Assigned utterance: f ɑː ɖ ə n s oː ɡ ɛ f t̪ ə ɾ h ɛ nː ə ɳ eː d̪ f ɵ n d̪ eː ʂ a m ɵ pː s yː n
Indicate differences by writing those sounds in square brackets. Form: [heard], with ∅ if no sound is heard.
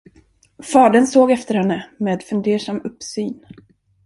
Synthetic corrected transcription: f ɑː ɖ ə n s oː ɡ ɛ f t̪ ə ɾ h ɛ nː ə [m] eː d̪ f ɵ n d̪ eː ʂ a m ɵ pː s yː n